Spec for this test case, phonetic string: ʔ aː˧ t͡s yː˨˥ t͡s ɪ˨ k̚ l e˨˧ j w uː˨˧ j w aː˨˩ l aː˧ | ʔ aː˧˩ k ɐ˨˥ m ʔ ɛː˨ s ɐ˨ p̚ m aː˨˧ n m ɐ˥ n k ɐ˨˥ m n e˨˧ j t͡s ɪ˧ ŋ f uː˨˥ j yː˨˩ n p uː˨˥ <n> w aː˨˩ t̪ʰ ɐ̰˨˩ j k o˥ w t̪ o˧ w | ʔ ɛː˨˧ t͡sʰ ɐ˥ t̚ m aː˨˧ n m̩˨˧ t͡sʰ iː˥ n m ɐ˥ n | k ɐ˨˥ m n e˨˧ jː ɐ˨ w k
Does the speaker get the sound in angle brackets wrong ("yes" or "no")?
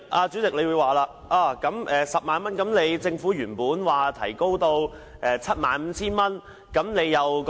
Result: no